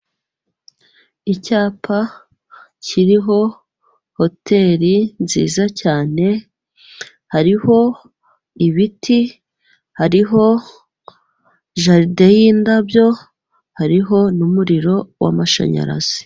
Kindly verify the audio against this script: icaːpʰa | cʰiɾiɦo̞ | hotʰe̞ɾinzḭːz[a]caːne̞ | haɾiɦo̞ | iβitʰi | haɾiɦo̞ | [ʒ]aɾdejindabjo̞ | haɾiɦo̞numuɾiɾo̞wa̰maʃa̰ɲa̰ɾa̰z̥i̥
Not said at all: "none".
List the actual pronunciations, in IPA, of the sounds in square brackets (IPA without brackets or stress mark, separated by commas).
a, ʒ